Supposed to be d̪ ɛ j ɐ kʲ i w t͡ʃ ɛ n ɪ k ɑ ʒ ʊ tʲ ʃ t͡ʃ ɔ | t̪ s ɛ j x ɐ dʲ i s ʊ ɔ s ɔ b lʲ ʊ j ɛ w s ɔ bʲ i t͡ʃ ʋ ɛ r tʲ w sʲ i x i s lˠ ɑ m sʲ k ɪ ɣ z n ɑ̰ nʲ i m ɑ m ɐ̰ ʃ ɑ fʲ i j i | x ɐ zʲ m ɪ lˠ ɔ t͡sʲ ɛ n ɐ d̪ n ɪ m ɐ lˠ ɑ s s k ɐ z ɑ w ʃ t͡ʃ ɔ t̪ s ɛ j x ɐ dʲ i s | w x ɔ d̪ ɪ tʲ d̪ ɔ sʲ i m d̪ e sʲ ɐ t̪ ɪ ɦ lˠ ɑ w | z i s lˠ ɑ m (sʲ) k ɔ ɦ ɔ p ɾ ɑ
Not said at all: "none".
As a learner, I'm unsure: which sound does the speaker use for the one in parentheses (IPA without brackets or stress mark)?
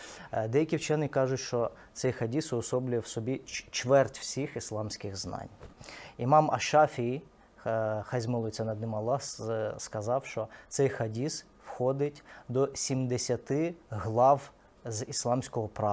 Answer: sʲ